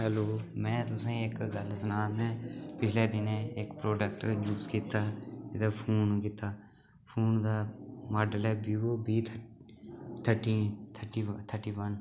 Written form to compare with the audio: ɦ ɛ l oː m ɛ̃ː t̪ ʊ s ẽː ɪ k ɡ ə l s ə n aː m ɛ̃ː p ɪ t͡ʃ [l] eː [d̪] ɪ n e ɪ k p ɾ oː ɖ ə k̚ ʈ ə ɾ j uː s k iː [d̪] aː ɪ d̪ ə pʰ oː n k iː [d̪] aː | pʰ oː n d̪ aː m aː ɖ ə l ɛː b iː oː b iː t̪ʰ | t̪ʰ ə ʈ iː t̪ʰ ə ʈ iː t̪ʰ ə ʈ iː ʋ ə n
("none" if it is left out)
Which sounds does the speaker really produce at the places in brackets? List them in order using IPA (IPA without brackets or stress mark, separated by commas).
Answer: l, d̪, t̪, t̪